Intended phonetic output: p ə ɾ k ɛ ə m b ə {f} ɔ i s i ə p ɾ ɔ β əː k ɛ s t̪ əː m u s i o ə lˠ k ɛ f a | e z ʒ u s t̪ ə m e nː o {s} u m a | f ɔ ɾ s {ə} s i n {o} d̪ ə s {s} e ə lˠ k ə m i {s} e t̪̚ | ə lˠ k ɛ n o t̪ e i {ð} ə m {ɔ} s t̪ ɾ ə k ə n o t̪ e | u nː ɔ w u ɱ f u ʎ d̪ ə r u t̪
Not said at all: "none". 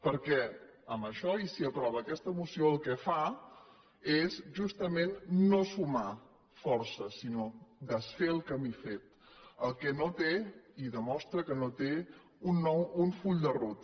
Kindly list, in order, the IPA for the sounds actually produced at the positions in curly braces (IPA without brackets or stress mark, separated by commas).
ʃ, s, ə, o, f, f, ð, ɔ